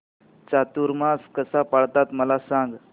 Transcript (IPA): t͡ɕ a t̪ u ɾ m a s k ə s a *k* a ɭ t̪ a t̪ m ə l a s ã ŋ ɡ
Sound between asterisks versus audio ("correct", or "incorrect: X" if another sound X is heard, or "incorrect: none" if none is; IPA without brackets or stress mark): incorrect: p